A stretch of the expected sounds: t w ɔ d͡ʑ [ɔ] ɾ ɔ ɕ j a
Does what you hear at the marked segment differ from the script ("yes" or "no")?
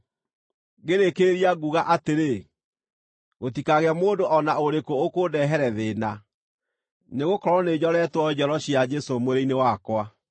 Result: no